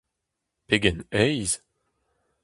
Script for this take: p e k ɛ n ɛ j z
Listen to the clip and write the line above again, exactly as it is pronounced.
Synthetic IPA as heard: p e ɡ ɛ n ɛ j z